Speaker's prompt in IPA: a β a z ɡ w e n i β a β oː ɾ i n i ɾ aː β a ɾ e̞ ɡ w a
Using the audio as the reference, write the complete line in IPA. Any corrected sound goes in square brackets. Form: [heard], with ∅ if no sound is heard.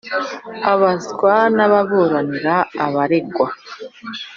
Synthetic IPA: a β a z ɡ w [a] n [a] β a β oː ɾ [a] n i ɾ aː β a ɾ e̞ ɡ w a